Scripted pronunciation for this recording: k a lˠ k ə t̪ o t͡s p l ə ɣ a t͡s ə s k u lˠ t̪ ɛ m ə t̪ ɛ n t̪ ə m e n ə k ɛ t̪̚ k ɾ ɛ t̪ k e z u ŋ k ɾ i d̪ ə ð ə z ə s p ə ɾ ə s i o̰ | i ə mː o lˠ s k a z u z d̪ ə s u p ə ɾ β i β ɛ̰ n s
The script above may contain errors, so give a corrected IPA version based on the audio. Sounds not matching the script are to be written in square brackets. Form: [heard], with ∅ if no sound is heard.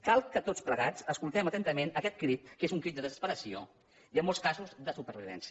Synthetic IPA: k a lˠ k ə t̪ o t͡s p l ə ɣ a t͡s ə s k u lˠ t̪ ɛ m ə t̪ ɛ n t̪ ə m e n ə k ɛ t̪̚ k ɾ [i] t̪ k e z u ŋ k ɾ i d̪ ə ð ə z ə s p ə ɾ ə s i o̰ | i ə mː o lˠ s k a z u z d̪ ə s u p ə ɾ β i β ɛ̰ n s